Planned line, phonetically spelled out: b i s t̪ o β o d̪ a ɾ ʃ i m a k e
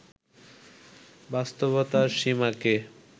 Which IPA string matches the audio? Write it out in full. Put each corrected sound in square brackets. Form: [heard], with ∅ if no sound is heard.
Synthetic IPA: b [a] s t̪ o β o [t̪] a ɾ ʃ i m a k e